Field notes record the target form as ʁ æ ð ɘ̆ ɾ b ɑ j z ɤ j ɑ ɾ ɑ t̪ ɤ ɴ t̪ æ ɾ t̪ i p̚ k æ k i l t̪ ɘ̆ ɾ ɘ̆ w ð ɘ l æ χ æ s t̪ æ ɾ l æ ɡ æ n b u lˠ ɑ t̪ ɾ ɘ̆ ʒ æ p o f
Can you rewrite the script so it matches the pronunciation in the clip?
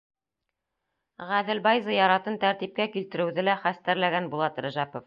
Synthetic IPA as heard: ʁ æ ð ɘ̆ l b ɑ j z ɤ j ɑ ɾ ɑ t̪ ɤ n t̪ æ ɾ t̪ i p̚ k æ k i l t̪ ɘ̆ ɾ ɘ̆ w ð ɘ l æ χ æ s t̪ æ ɾ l æ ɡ æ n b u lˠ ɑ t̪ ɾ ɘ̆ ʒ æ p o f